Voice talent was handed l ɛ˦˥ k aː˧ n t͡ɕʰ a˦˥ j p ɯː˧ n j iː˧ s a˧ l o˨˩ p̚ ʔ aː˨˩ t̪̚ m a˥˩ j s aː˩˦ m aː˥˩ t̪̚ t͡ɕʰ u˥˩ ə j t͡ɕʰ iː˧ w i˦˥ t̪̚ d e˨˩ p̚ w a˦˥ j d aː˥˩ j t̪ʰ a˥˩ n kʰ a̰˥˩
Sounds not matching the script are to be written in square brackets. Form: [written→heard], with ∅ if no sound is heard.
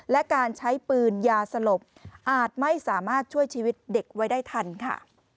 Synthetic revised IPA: l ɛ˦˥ k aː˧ n t͡ɕʰ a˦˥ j p ɯː˧ n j [iː˧→aː˧] s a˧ l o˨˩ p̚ ʔ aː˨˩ t̪̚ m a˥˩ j s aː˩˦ m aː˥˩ t̪̚ t͡ɕʰ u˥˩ ə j t͡ɕʰ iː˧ w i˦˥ t̪̚ d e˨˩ [p̚→k̚] w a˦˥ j d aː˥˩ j t̪ʰ [a˥˩→a˧] n kʰ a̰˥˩